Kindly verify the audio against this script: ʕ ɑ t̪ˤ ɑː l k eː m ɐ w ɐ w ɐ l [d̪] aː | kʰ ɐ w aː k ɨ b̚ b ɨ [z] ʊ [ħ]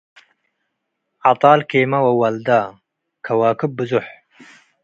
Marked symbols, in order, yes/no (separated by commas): yes, yes, yes